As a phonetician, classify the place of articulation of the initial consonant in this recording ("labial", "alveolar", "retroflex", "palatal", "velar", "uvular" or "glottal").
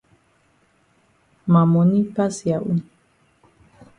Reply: labial